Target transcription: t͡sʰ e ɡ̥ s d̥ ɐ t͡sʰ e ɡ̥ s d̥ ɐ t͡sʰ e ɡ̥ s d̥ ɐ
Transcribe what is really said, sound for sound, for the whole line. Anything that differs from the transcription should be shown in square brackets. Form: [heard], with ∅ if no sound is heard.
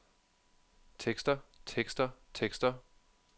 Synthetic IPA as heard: t͡sʰ e ɡ̥ s d̥ ɐ t͡sʰ e ɡ̥ s d̥ ɐ t͡sʰ e ɡ̥ s d̥ ɐ